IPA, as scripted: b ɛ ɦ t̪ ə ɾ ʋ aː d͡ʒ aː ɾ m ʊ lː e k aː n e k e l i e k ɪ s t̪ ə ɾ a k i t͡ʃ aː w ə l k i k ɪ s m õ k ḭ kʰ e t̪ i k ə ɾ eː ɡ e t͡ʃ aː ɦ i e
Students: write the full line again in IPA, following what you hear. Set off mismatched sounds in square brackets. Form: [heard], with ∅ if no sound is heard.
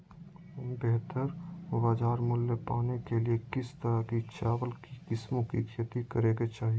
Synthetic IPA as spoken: b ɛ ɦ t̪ ə ɾ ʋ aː d͡ʒ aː ɾ m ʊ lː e [p] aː n e k e l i e k ɪ s t̪ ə ɾ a k i t͡ʃ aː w ə l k i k ɪ s m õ k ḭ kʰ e t̪ i k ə ɾ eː ɡ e t͡ʃ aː ɦ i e